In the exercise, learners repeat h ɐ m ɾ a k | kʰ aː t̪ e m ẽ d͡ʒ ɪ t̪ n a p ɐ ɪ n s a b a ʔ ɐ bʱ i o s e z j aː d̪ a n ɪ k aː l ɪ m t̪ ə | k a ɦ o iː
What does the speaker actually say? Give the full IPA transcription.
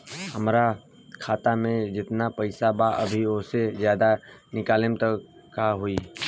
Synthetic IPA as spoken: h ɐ m ɾ a | kʰ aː t̪ a m ẽ d͡ʒ ɪ t̪ n a p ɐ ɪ s a b a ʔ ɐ bʱ i o s e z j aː d̪ a n ɪ k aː l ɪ m t̪ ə | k a ɦ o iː